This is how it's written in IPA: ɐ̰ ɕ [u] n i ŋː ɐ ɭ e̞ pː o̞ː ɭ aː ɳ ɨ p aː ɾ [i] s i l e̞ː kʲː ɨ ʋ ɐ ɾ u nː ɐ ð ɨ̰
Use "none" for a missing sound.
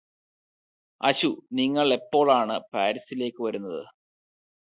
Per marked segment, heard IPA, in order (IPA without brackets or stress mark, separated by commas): u, i